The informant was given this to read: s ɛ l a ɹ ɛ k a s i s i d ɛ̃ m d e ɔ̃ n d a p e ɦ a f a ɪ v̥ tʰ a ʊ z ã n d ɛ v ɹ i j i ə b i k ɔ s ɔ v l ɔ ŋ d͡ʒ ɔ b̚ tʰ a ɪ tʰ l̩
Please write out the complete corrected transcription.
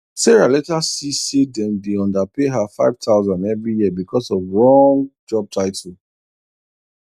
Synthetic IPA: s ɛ ɹ a l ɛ t a s i s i d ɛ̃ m d e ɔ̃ n d a p e ɦ a f a ɪ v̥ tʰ a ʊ z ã n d ɛ v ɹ i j i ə b i k ɔ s ɔ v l ɔ ŋ d͡ʒ ɔ b̚ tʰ a ɪ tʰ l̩